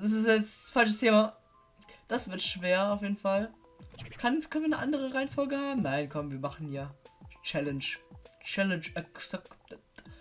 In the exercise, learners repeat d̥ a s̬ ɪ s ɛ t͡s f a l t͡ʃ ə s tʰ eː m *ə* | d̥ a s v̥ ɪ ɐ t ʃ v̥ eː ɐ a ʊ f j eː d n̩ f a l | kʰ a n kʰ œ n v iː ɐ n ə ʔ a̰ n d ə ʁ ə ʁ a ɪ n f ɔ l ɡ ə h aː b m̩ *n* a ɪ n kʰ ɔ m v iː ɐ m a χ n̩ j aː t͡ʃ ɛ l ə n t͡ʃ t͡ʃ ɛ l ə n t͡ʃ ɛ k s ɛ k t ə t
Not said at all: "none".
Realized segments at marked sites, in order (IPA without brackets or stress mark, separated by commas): a, n